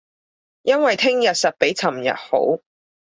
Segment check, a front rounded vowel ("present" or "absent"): absent